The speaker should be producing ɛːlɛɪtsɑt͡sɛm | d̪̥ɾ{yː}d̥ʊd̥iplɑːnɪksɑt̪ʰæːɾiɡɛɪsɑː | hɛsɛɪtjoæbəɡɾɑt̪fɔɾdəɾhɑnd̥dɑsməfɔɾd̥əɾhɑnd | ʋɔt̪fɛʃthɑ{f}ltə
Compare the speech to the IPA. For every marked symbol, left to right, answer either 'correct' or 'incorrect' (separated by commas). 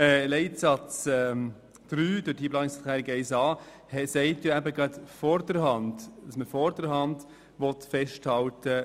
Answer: correct, incorrect